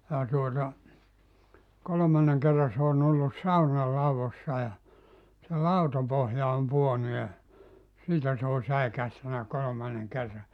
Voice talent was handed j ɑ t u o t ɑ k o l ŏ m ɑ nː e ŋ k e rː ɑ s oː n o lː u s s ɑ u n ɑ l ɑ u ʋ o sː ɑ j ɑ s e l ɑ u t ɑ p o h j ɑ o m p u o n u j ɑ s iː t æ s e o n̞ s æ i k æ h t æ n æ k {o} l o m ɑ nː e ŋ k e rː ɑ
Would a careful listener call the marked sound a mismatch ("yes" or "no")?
no